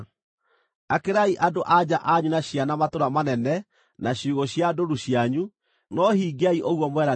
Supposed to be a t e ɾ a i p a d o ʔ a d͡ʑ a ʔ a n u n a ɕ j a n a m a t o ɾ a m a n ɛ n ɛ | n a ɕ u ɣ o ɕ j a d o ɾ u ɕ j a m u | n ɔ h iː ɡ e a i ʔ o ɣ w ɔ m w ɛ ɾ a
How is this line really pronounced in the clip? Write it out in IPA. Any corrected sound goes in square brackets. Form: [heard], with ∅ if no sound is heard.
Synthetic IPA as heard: a [k] e ɾ a i [ʔ] a d o ʔ a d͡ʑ a ʔ a [ɲ] u n a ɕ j a n a m a t o ɾ a m a n ɛ n ɛ | n a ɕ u ɣ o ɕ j a d o ɾ u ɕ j a [ɲ] u | n ɔ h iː ɡ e a i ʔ o ɣ w ɔ m w ɛ ɾ a

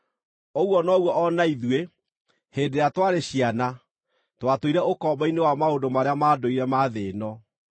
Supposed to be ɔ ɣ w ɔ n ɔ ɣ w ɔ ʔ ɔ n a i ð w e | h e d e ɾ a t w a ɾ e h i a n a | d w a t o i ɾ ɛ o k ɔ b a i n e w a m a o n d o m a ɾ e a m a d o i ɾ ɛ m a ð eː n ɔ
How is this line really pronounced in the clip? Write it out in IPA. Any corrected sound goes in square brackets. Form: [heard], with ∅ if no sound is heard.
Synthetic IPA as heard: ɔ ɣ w ɔ n ɔ ɣ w ɔ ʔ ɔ n a i ð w e | h e d e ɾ a t w a ɾ e [ɕ] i a n a | [t] w a t o i ɾ ɛ o k ɔ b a i n e w a m a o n d o m a ɾ e a m a d o i ɾ ɛ m a ð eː n ɔ

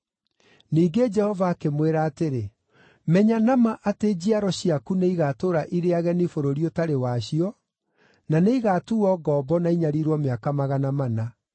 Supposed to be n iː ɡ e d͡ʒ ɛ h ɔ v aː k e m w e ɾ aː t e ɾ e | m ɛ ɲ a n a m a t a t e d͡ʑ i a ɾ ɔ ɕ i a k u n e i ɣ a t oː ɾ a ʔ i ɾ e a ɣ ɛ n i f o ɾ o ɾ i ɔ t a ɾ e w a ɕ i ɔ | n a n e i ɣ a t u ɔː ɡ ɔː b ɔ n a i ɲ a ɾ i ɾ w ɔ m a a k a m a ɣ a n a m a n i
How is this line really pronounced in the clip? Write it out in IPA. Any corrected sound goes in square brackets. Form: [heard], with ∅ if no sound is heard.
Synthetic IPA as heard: n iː ɡ e d͡ʒ ɛ h ɔ v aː k e m w e ɾ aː t e ɾ e | m ɛ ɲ a n a m a [ʔ] a t e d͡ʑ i a ɾ ɔ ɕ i a k u n e i ɣ a t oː ɾ a ʔ i ɾ e a ɣ ɛ n i f o ɾ o ɾ i ɔ t a ɾ e w a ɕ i ɔ | n a n e i ɣ a t u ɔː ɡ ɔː b ɔ n a i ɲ a ɾ i ɾ w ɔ m [e] a k a m a ɣ a n a m a n [a]

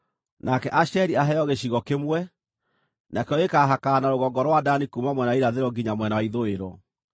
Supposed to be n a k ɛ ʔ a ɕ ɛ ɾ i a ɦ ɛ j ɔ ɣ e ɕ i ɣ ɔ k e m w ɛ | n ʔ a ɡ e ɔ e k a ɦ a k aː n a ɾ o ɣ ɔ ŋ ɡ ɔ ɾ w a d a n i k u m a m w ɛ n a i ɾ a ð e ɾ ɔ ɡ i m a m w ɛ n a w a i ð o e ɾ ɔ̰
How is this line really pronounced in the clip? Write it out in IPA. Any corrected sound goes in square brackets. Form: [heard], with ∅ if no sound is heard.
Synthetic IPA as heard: n a k ɛ ʔ a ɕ ɛ ɾ i a ɦ ɛ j ɔ ɣ e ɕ i ɣ ɔ k e m w ɛ | n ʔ a [k] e ɔ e k a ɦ a k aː n a ɾ o ɣ ɔ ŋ ɡ ɔ ɾ w a d a n i k u m a m w ɛ n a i ɾ a ð e ɾ ɔ ɡ i [ɲ] a m w ɛ n a w a i ð o e ɾ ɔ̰

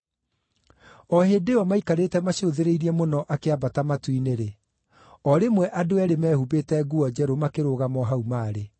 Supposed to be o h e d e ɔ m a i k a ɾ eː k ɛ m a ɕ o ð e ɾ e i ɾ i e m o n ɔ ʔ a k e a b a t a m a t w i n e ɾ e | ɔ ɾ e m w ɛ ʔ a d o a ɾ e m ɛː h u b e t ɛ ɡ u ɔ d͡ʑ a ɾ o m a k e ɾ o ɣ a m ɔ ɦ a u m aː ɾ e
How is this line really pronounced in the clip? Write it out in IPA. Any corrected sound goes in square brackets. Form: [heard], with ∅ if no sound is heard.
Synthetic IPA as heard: [ɔ] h e d e ɔ m a i k a ɾ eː [t] ɛ m a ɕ o ð e ɾ e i ɾ i [ɛ] m o n ɔ ʔ a k e a b a t a m a t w i n e ɾ e | ɔ ɾ e m w ɛ ʔ a d o [ɛ] ɾ e m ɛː h u b e t ɛ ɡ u ɔ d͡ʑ [ɛ] ɾ o m a k e ɾ o ɣ a m ɔ ɦ a u m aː ɾ e

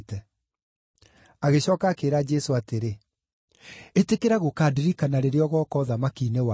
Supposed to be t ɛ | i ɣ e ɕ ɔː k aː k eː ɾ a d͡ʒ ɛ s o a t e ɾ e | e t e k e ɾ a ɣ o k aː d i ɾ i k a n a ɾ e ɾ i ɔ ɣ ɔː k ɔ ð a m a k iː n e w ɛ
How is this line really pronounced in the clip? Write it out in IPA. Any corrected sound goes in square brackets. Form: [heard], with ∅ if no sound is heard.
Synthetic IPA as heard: t ɛ | [a] ɣ e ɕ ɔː k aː k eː ɾ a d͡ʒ ɛ s o a t e ɾ e | e t e k e ɾ a ɣ o k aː d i ɾ i k a n a ɾ e ɾ [e] ɔ ɣ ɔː k ɔ ð a m a k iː n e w [a]

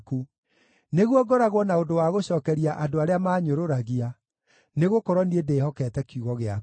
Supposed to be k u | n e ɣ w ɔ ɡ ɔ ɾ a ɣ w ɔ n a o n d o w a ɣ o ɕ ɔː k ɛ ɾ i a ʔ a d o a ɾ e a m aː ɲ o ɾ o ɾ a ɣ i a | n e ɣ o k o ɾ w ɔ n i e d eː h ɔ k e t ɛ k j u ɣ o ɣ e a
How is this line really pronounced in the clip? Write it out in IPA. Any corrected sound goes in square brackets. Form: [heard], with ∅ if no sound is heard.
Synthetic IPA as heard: k u | n e ɣ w ɔ ɡ ɔ ɾ a ɣ w ɔ n a o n d o w a ɣ o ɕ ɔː k ɛ ɾ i a ʔ a d o a ɾ e a m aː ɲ o ɾ o ɾ a ɣ i a | n e ɣ o k [ɔ] ɾ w ɔ n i e d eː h ɔ k [ɛ] t ɛ k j u ɣ [ɔ] ɣ e a

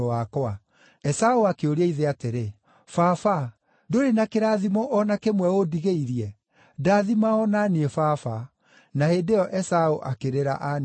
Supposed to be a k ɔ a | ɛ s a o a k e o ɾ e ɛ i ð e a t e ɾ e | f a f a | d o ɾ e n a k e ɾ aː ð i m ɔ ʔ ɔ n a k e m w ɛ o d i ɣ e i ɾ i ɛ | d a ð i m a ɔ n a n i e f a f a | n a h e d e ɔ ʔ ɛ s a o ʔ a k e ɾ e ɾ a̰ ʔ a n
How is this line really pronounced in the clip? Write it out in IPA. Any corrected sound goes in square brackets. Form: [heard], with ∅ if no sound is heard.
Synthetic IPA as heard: a k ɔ a | ɛ s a o a k e o ɾ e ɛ i ð e a t e ɾ e | f a f a | d o ɾ e n a k e ɾ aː ð i m ɔ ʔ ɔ n a k e m w ɛ o d i ɣ e i ɾ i ɛ | d a ð i m a ɔ n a n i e f a f a | n a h e d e ɔ ʔ ɛ s a o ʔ a k e ɾ e ɾ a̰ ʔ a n

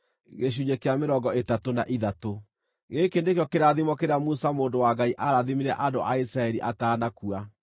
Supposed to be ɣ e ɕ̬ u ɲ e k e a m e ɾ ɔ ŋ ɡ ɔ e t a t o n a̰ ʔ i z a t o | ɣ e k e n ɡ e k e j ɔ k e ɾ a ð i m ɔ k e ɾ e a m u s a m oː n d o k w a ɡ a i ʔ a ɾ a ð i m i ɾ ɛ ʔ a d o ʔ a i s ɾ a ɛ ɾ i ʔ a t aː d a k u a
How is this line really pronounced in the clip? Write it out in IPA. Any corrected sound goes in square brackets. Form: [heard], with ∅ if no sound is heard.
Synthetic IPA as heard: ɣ e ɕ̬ u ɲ e k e a m e ɾ ɔ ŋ ɡ ɔ e t a t o n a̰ ʔ i [ð] a t o | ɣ e k e n [d] e k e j ɔ k e ɾ a ð i m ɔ k e ɾ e a m u s a m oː n d o [∅] w a ɡ a i ʔ a ɾ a ð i m i ɾ ɛ ʔ a d o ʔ a i s ɾ a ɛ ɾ i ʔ a t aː [n] a k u a

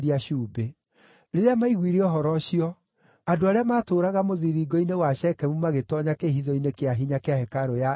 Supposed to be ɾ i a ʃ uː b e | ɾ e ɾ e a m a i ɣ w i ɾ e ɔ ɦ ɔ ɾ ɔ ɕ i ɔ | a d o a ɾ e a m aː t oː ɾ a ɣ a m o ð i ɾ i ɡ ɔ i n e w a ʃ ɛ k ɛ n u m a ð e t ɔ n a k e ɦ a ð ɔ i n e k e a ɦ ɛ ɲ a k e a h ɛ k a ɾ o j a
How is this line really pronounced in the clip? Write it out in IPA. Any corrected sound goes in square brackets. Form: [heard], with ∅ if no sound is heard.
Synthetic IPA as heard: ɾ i a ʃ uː b e | ɾ e ɾ e a m a i ɣ w i ɾ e ɔ ɦ ɔ ɾ ɔ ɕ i ɔ | a d o a ɾ e a m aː t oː ɾ a ɣ a m o ð i ɾ i ɡ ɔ i n e w a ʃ ɛ k ɛ [m] u m a [ɣ] e t ɔ [ɲ] a k e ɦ [i] ð ɔ i n e k e a ɦ [i] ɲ a k e a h ɛ k a ɾ o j a

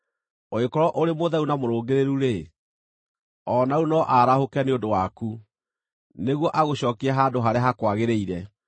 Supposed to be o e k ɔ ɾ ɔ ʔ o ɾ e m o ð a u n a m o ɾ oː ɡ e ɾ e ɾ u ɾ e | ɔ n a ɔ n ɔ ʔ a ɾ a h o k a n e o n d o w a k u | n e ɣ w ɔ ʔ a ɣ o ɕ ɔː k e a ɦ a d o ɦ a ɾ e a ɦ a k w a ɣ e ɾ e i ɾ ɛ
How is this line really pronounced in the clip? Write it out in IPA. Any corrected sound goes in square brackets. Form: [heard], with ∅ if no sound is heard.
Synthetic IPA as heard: o e k ɔ ɾ ɔ ʔ o ɾ e m o ð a u n a m o ɾ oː ɡ e ɾ e ɾ u ɾ e | ɔ n a [u] n ɔ ʔ a ɾ a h o k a n e o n d o w a k u | n e ɣ w ɔ ʔ a ɣ o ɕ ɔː k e a ɦ a d o ɦ a ɾ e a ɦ a k w a ɣ e ɾ e i ɾ ɛ

